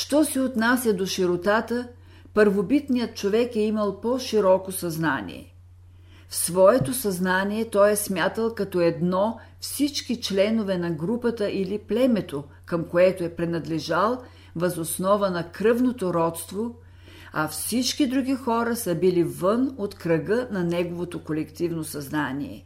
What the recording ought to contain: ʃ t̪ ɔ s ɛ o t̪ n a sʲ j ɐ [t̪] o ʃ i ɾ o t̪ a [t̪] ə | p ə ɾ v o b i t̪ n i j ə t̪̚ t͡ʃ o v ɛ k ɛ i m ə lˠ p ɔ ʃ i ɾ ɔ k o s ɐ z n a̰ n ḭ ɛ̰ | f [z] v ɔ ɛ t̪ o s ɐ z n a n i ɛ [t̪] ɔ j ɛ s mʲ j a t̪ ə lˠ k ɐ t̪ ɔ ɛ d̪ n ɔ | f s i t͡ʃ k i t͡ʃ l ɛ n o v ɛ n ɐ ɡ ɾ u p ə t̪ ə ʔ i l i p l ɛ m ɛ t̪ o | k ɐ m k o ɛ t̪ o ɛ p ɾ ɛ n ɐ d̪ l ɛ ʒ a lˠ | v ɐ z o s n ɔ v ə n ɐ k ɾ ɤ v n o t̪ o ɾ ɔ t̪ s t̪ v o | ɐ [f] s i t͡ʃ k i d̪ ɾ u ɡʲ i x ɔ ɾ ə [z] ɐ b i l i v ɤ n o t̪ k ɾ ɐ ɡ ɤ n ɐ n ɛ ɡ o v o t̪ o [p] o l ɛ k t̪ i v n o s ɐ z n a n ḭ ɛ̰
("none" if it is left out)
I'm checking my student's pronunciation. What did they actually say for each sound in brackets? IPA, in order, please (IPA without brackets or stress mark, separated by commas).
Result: d̪, t̪, s, t̪, f, s, k